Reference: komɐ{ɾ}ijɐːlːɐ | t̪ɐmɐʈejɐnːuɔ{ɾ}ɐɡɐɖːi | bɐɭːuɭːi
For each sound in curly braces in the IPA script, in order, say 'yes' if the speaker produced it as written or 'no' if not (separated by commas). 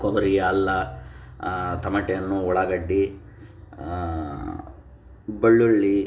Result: yes, no